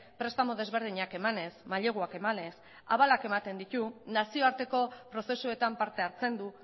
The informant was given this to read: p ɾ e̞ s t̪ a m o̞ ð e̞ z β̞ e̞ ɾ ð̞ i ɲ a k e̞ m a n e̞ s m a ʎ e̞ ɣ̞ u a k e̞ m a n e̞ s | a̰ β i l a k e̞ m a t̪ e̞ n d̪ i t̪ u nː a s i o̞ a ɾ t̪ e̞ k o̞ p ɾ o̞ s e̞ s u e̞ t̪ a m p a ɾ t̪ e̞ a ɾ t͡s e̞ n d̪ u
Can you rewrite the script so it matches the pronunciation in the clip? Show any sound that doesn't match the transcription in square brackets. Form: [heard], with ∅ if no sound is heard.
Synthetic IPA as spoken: p ɾ e̞ s t̪ a m o̞ ð e̞ z β̞ e̞ ɾ ð̞ i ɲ a k e̞ m a n e̞ s m a ʎ e̞ ɣ̞ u a k e̞ m a n e̞ s | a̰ β [a] l a k e̞ m a t̪ e̞ n d̪ i t̪ u [n] a s i o̞ a ɾ t̪ e̞ k o̞ p ɾ o̞ s e̞ s u e̞ t̪ a m p a ɾ t̪ e̞ a ɾ t͡s e̞ n d̪ u

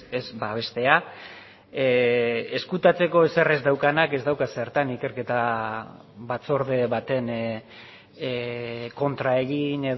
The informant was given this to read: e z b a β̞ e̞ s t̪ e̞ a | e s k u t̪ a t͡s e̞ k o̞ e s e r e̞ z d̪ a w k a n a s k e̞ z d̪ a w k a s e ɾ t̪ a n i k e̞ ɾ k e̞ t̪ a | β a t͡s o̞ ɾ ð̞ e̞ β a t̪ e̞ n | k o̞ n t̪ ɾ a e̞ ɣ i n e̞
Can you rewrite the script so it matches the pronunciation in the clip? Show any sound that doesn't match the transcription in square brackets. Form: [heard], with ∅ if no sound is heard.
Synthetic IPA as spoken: e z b a β̞ e̞ s t̪ e̞ a | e s k u t̪ a t͡s e̞ k o̞ e s e r e̞ z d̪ a w k a n a [∅] k e̞ z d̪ a w k a s e ɾ t̪ a n i k e̞ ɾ k e̞ t̪ a | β a t͡s o̞ ɾ ð̞ e̞ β a t̪ e̞ n | k o̞ n t̪ ɾ a e̞ ɣ i n e̞

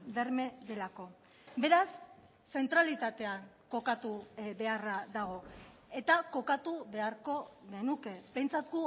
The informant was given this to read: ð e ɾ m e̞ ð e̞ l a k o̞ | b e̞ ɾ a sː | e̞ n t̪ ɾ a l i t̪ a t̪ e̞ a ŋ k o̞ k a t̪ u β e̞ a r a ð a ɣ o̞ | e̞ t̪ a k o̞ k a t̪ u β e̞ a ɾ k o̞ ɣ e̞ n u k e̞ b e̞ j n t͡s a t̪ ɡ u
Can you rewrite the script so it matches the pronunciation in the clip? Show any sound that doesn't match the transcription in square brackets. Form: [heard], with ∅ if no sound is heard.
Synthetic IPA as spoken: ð e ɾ m e̞ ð e̞ l a k o̞ | b e̞ ɾ a sː | e̞ n t̪ ɾ a l i t̪ a t̪ e̞ a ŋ k o̞ k a t̪ u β e̞ a r a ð a ɣ o̞ | e̞ t̪ a k o̞ k a t̪ u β e̞ a ɾ k o̞ ɣ e̞ n u k e̞ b e̞ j n t͡s a t̪ ɡ u

